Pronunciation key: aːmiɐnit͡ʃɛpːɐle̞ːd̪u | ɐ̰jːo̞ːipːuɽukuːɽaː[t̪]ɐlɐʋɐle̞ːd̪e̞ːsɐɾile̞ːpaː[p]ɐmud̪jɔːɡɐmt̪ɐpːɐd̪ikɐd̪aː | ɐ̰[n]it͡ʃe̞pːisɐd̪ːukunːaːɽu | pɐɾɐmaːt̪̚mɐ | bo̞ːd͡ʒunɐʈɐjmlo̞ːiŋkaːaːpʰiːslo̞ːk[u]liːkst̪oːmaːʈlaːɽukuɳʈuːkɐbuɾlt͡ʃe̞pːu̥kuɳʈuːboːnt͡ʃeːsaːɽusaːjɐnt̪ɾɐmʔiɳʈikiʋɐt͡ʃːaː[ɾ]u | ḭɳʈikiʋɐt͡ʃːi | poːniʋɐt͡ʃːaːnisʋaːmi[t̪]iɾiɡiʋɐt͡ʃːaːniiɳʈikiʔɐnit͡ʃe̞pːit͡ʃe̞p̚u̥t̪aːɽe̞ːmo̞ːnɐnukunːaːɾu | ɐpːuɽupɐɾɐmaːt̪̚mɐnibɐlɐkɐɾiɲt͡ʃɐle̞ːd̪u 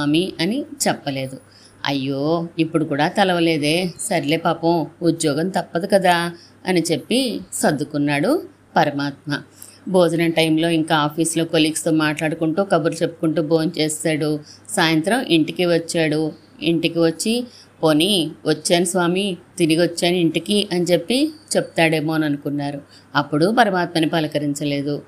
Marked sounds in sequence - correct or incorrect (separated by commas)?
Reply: correct, correct, correct, incorrect, incorrect, correct